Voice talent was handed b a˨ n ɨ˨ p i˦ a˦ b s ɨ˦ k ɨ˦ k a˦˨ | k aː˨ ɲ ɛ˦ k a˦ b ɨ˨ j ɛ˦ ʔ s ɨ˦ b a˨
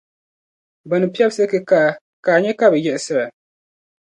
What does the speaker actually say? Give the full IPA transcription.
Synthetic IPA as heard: b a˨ n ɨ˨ p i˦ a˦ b s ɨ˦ k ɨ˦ k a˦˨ | k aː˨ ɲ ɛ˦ k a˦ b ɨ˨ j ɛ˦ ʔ s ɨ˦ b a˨

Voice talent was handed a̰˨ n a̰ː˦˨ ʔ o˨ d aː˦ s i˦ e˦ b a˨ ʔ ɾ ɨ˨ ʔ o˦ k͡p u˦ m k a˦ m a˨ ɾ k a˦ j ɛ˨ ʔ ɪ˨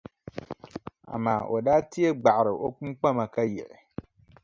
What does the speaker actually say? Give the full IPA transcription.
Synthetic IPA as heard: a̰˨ m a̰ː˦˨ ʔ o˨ d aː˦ t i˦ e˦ ɡ͡b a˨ ʔ ɾ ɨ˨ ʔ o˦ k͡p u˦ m k͡p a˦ m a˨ k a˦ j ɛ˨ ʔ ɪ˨

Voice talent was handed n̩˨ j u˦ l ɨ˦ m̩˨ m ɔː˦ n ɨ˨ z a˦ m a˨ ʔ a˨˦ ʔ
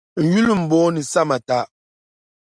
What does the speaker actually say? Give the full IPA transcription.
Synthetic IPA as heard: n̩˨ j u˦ l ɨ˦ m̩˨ b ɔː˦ n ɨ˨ s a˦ m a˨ t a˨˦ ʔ

